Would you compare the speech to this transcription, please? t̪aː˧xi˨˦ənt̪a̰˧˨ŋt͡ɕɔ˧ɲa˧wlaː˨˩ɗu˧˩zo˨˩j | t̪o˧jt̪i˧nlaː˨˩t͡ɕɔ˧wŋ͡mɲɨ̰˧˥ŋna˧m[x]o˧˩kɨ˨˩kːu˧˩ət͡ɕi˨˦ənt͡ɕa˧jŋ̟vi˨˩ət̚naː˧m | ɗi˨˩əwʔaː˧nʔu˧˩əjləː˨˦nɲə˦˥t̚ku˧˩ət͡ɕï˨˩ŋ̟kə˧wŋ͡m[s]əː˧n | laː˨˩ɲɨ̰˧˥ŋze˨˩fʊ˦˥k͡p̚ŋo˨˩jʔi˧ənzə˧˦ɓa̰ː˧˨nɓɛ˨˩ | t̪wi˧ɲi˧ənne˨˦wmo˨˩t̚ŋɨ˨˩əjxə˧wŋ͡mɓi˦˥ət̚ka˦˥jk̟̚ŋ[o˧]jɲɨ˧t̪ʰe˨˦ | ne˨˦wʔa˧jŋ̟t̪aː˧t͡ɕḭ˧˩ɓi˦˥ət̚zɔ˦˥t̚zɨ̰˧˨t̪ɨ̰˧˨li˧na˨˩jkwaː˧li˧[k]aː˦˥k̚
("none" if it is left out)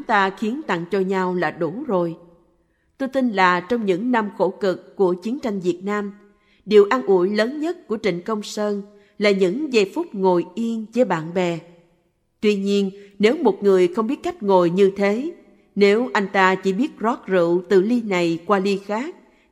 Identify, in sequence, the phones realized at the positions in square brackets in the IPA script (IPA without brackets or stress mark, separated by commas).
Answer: x, s, o˨˩, x